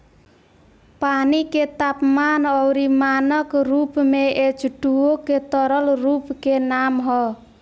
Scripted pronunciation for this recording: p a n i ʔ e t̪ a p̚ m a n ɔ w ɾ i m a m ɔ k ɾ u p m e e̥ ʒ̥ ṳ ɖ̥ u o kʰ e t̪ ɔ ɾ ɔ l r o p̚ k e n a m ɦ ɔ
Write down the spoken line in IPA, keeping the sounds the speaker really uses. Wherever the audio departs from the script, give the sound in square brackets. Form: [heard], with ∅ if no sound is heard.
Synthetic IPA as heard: p a n i [k] e t̪ a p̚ m a n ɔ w ɾ i m a [n] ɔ k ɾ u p m e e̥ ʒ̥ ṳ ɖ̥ u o [k] e t̪ ɔ ɾ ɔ l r [u] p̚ k e n a m ɦ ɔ